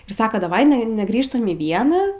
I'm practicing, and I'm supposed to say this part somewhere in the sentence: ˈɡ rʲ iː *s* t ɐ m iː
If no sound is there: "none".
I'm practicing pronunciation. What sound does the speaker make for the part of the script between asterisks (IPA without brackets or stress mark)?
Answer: ʃ